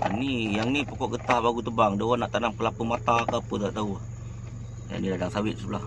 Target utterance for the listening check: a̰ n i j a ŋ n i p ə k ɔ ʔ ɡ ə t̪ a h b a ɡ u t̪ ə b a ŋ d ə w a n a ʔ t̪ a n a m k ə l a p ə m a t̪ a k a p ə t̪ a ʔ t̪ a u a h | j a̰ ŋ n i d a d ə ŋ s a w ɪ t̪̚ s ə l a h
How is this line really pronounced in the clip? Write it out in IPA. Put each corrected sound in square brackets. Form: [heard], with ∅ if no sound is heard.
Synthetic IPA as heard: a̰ n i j a ŋ n i p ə k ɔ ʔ ɡ ə t̪ a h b a ɡ u t̪ ə b a ŋ d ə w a n a ʔ t̪ a n a m k ə l a p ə m a t̪ a k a p ə t̪ a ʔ t̪ a u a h | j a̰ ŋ n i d a d [a] ŋ s a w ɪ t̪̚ s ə l a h